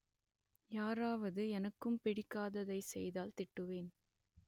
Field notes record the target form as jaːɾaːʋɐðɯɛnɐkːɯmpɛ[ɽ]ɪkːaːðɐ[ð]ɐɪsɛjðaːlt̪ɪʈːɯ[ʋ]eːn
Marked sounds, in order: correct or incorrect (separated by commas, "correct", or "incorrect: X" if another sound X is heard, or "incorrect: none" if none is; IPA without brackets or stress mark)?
correct, correct, correct